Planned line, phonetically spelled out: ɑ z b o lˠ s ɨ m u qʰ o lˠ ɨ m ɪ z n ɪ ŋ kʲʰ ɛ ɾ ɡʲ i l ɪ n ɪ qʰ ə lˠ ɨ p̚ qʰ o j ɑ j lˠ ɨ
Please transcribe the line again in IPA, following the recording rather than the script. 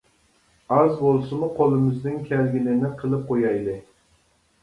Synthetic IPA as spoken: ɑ z b o lˠ s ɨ m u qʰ o lˠ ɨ m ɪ z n ɪ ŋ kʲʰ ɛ l ɡʲ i l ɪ n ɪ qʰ ə lˠ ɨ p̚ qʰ o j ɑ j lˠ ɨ